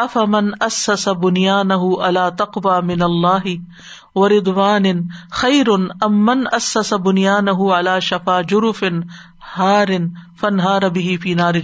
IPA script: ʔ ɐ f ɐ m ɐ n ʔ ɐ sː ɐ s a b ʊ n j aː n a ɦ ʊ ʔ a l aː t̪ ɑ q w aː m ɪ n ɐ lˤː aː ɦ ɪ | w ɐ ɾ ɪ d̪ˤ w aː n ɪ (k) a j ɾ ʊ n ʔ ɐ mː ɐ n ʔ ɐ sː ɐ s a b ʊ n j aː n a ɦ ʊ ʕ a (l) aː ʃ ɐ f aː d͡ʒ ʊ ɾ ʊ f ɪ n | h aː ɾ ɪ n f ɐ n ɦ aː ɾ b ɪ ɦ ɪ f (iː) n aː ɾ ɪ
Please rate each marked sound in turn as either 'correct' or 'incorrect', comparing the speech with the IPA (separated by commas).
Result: incorrect, correct, correct